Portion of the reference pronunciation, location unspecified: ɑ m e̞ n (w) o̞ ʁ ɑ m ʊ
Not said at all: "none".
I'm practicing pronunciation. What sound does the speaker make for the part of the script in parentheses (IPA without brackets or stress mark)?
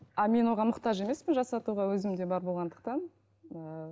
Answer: w